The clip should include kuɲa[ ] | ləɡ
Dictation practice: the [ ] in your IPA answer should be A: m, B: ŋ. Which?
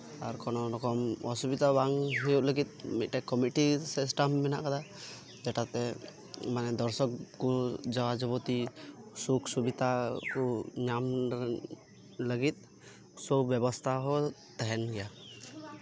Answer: A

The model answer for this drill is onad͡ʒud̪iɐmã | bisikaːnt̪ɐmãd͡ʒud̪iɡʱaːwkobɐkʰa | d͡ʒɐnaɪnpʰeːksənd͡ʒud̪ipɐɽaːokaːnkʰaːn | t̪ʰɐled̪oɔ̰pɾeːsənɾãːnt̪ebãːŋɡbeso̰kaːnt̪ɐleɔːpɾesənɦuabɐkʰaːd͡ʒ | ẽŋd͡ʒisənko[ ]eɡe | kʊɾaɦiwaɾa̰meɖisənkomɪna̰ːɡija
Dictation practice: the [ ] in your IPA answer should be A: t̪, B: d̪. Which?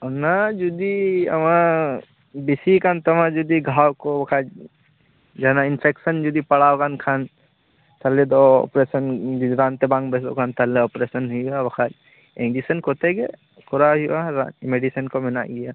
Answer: A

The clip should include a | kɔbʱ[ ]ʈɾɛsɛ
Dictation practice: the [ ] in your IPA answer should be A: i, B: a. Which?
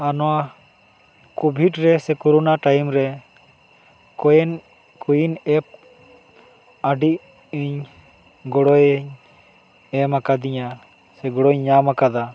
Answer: A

